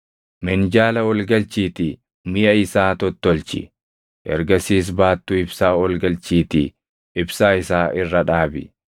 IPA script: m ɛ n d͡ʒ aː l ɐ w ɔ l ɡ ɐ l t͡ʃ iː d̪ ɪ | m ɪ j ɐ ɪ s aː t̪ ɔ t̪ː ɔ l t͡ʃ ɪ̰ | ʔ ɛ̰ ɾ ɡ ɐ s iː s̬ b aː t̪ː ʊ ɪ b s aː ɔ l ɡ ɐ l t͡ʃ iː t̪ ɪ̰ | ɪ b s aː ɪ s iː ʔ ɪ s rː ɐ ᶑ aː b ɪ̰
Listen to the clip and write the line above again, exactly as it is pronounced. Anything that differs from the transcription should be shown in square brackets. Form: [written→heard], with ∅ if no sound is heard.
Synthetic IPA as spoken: m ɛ n d͡ʒ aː l ɐ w ɔ l ɡ ɐ l t͡ʃ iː [d̪→t̪] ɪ | m ɪ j ɐ ɪ s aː t̪ ɔ t̪ː ɔ l t͡ʃ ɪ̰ | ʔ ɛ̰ ɾ ɡ ɐ s iː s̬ b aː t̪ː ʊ ɪ b s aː ɔ l ɡ ɐ l t͡ʃ iː t̪ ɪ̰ | ɪ b s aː ɪ s [iː→aː] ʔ ɪ [s→∅] rː ɐ ᶑ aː b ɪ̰